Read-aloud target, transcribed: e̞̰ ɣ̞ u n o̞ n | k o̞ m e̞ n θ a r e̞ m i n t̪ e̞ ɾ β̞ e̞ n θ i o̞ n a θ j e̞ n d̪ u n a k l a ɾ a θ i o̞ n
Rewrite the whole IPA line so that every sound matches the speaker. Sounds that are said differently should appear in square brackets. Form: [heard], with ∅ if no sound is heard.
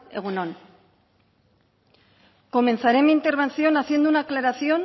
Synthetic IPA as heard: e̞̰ ɣ̞ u n o̞ n | k o̞ m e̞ n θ a [ɾ] e̞ m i n t̪ e̞ ɾ β̞ e̞ n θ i o̞ n a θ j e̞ n d̪ u n a k l a ɾ a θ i o̞ n